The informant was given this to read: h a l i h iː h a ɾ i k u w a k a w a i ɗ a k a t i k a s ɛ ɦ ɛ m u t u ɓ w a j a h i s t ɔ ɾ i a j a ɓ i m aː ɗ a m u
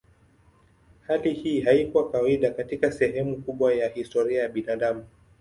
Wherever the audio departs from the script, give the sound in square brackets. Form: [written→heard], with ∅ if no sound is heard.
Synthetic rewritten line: h a l i h iː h a [ɾ→∅] i k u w a k a w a i ɗ a k a t i k a s ɛ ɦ ɛ m u [t→k] u ɓ w a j a h i s t ɔ ɾ i a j a ɓ i [m→n] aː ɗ a m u